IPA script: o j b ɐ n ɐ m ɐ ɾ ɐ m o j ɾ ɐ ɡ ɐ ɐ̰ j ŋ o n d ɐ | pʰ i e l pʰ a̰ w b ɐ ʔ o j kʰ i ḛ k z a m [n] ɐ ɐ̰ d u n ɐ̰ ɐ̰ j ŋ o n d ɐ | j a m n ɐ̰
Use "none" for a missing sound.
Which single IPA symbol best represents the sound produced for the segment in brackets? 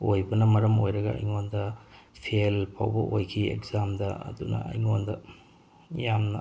d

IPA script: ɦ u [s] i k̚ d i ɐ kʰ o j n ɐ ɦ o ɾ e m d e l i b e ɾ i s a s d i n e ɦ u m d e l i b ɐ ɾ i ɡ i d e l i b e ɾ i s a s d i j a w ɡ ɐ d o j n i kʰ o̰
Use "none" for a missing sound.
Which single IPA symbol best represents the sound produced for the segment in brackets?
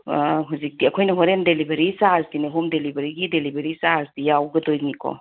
z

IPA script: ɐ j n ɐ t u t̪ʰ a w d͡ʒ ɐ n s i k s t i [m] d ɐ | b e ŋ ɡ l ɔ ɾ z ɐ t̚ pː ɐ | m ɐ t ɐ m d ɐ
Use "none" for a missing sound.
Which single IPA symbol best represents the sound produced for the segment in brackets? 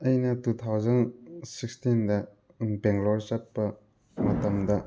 n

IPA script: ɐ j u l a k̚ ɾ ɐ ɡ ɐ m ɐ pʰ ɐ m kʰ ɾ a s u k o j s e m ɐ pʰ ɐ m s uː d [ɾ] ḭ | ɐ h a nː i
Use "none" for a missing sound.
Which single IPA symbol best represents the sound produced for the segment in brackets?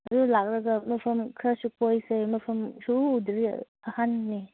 ɾ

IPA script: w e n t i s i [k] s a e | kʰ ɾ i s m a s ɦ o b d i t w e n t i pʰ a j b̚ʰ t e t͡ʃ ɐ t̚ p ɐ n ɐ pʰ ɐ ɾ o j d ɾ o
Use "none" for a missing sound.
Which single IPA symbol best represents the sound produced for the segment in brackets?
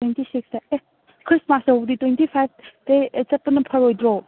k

